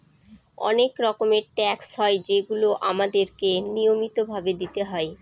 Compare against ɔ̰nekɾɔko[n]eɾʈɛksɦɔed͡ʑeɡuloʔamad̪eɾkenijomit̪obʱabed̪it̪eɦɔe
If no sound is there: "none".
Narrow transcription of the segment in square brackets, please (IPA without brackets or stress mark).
m